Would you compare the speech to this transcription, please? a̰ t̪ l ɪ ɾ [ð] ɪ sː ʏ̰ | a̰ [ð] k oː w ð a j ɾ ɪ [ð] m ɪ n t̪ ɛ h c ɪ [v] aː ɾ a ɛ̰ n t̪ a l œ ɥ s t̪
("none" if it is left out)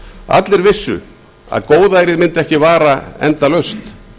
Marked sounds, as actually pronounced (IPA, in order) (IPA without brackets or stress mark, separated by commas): v, ð, ð, v